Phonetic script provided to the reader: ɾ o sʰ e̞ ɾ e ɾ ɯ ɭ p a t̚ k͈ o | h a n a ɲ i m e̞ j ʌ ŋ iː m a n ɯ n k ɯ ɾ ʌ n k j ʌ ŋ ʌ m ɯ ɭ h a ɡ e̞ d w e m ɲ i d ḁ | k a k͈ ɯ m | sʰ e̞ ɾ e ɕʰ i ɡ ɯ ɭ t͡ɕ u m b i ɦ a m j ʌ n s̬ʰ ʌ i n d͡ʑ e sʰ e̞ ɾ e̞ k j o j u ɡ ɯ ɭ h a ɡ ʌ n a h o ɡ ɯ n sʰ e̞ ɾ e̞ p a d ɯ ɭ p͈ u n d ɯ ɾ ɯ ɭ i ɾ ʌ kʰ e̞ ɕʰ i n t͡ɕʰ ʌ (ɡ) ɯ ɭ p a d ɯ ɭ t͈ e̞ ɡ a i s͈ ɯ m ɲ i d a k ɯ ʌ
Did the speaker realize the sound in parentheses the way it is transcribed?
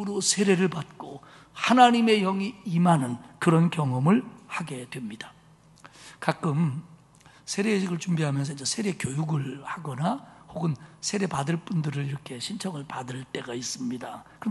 no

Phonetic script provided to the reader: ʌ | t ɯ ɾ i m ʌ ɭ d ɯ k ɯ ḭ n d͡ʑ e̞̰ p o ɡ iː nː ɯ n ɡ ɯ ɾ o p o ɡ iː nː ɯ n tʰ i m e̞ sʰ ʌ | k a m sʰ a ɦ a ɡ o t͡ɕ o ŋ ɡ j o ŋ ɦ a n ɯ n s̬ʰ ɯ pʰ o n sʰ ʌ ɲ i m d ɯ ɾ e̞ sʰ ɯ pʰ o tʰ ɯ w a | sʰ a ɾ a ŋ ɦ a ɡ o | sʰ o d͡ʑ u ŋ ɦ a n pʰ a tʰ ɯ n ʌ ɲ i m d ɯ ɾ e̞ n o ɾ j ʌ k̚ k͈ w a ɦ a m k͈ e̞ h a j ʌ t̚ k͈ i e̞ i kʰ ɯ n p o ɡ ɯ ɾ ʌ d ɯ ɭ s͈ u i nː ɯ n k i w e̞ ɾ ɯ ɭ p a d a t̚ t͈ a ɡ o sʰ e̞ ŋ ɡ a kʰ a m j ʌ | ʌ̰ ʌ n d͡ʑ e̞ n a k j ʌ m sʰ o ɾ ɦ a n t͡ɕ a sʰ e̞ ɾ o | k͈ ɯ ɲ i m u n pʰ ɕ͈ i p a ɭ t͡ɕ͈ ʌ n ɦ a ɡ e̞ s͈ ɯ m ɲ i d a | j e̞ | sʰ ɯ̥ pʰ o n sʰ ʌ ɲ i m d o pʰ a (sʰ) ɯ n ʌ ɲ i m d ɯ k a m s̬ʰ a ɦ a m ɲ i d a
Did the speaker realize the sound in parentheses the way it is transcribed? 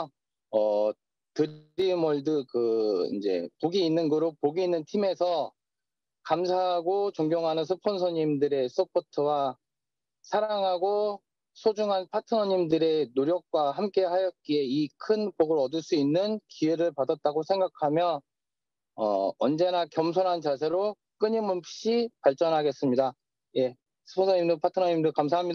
no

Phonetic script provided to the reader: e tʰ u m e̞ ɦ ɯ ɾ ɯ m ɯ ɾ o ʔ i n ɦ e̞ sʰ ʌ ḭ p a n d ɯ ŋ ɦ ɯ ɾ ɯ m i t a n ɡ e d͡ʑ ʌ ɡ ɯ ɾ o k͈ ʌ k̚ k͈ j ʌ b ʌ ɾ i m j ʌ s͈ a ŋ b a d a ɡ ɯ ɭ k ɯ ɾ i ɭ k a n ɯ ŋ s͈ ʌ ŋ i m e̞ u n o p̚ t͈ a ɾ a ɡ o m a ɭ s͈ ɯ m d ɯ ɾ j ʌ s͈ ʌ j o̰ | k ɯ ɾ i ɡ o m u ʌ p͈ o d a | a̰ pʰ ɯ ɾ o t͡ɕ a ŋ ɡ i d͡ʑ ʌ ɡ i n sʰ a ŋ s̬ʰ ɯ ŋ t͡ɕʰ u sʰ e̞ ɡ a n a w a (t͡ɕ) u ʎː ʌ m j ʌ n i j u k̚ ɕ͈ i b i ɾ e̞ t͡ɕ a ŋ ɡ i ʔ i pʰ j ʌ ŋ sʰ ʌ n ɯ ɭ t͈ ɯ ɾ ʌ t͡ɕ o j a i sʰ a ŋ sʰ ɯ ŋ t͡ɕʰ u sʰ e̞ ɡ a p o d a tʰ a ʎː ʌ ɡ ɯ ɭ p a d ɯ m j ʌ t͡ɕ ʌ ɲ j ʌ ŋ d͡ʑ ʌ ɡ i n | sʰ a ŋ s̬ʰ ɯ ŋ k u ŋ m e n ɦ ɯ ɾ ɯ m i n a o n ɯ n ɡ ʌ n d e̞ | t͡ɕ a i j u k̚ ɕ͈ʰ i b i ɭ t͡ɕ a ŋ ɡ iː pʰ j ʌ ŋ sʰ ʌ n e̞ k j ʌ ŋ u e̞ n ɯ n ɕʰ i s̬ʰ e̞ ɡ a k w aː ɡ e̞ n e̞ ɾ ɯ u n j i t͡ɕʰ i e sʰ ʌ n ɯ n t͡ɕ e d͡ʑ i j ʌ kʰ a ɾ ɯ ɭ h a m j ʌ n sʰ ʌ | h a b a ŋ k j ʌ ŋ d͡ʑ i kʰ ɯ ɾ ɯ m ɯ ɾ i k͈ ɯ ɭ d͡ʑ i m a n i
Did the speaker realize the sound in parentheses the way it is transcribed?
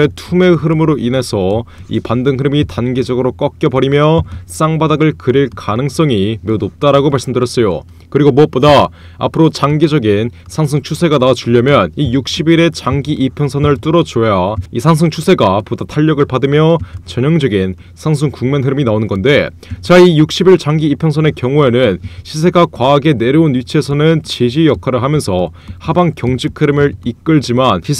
yes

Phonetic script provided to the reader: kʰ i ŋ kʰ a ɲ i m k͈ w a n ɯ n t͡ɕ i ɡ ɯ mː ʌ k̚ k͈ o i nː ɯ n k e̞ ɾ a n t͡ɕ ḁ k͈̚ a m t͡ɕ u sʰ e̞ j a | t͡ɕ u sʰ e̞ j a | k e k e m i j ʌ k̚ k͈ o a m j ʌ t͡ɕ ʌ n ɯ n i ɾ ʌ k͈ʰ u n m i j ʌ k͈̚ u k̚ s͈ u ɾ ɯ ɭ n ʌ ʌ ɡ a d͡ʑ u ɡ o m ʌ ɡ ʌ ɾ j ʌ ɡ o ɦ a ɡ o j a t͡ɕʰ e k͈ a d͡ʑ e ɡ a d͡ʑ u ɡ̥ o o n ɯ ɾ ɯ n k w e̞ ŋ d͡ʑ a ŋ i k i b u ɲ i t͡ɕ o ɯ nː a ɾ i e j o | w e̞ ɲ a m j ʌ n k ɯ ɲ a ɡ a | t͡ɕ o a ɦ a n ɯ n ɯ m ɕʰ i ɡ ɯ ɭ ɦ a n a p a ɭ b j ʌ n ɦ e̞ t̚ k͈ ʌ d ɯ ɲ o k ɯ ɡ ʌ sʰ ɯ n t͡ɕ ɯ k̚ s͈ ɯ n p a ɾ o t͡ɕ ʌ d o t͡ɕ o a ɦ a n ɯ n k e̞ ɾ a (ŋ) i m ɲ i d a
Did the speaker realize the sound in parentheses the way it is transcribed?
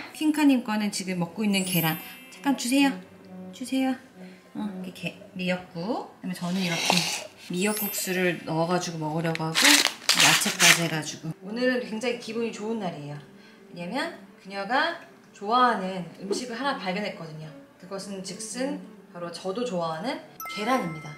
no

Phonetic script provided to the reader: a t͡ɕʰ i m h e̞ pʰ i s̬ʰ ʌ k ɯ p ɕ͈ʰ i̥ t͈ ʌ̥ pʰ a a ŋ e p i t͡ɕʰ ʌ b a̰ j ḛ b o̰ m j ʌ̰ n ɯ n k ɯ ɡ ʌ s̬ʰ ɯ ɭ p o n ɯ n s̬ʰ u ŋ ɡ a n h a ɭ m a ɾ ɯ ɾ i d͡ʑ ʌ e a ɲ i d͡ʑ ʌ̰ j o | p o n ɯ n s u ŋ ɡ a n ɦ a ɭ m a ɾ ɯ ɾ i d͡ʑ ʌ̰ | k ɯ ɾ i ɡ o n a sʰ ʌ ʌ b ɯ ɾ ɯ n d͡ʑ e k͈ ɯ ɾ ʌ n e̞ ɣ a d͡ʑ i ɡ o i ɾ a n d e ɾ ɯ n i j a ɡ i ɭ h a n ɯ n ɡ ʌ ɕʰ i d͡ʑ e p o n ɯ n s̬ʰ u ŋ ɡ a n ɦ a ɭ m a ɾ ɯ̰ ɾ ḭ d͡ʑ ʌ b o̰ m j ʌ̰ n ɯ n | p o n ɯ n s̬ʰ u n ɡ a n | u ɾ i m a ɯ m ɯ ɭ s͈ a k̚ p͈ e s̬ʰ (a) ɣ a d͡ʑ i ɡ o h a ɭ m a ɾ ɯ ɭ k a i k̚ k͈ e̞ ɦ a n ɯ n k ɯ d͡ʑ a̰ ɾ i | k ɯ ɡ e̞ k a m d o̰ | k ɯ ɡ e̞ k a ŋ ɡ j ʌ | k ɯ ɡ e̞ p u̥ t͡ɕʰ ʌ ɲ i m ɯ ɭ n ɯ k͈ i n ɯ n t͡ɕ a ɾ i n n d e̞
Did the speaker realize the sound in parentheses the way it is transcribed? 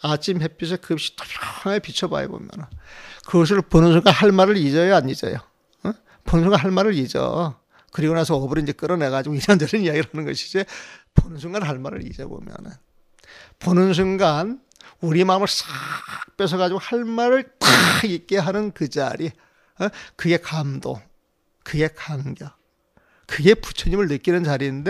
no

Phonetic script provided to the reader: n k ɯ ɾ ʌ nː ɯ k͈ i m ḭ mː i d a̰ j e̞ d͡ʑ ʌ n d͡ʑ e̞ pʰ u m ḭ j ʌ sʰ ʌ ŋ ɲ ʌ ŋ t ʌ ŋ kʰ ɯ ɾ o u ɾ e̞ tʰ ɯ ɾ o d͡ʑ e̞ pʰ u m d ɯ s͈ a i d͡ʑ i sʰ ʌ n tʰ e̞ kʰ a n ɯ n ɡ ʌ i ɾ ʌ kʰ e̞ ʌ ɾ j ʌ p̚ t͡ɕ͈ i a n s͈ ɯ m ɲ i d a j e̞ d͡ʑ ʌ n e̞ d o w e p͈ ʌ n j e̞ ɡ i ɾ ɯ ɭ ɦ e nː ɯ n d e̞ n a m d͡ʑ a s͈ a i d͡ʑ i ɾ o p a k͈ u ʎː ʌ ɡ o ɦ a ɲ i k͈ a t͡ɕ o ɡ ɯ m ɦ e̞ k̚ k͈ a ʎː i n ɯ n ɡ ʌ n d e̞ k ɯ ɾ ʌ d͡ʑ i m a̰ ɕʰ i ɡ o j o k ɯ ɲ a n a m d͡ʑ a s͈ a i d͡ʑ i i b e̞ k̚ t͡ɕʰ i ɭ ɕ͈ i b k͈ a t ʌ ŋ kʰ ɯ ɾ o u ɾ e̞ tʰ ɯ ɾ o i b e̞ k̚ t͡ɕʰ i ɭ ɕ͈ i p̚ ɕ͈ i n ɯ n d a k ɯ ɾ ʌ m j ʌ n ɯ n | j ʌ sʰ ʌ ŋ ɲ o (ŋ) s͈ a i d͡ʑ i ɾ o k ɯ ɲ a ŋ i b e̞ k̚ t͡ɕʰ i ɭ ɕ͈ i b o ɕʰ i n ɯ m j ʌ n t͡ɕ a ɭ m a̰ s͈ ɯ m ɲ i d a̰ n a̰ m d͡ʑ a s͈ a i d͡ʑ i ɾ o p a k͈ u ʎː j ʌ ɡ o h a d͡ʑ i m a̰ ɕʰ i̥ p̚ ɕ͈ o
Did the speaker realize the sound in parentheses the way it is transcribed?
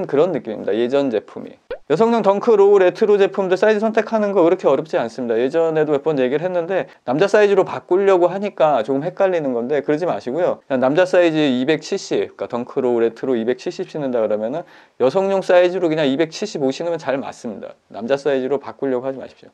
yes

